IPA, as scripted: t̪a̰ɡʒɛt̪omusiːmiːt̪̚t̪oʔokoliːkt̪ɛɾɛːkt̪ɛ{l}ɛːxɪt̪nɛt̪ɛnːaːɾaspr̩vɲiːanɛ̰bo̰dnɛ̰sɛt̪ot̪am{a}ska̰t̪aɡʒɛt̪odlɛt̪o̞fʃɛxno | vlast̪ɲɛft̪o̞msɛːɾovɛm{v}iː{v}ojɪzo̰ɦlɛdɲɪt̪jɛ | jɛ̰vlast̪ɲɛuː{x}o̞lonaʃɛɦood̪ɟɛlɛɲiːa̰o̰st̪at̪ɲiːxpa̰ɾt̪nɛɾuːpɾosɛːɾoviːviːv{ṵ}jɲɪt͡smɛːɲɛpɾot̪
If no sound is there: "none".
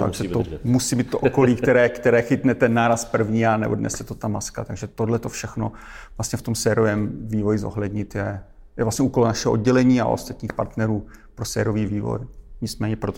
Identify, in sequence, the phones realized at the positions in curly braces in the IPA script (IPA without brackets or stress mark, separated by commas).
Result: ɾ, a, v, v, k, o̰